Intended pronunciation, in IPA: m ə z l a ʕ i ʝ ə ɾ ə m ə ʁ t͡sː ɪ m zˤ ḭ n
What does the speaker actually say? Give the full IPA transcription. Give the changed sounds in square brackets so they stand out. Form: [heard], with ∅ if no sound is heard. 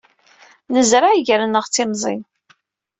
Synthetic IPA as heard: [n] ə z [ɾ] a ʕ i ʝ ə ɾ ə [n] ə ʁ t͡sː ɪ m zˤ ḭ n